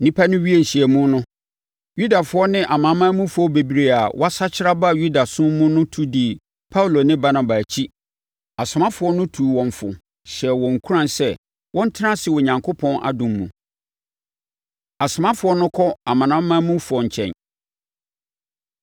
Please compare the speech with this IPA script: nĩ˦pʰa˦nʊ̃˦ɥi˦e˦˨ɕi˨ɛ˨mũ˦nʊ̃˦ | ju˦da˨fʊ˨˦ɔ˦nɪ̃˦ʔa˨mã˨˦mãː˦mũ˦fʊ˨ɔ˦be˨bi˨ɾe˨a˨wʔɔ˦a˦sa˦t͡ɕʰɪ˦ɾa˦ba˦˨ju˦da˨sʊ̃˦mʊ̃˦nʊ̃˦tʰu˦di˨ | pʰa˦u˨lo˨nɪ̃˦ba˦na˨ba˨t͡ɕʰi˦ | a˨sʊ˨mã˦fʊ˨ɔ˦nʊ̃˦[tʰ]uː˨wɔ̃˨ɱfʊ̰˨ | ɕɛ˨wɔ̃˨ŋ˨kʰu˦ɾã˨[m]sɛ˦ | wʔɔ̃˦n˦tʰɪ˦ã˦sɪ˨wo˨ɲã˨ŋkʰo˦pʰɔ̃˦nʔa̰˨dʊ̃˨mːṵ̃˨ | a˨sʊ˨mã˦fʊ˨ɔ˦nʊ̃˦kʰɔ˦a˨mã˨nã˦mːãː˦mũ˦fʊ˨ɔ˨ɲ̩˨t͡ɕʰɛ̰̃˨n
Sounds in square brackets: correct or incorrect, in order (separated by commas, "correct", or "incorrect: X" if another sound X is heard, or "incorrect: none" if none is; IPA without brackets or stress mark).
correct, incorrect: n